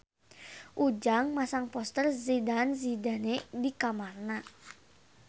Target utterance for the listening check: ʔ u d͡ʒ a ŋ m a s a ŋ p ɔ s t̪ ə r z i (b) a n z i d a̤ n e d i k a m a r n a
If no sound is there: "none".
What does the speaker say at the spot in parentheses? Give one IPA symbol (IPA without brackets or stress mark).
d